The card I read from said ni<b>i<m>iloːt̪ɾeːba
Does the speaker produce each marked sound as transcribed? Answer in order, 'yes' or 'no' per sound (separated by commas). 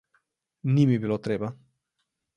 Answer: no, no